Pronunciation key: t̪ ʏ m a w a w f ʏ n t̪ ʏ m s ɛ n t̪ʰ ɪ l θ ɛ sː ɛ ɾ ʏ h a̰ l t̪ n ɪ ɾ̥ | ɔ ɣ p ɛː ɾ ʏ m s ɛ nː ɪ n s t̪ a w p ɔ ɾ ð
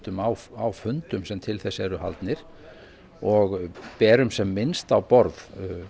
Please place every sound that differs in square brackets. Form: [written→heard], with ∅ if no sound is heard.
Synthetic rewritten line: t̪ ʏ m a w a w f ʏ n t̪ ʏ m s ɛ [n→m] t̪ʰ ɪ l θ ɛ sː ɛ ɾ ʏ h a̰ l t̪ n ɪ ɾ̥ | ɔ ɣ p ɛː ɾ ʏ m s ɛ [nː→mː] ɪ n s t̪ a w p ɔ ɾ ð